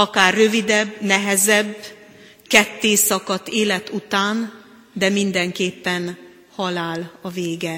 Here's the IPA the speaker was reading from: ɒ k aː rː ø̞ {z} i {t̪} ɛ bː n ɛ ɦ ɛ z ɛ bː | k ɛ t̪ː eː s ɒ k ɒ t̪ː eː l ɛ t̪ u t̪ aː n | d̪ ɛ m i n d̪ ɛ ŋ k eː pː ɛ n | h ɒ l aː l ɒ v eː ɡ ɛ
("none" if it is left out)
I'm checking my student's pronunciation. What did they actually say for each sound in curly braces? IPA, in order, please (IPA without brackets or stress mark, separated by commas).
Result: v, d̪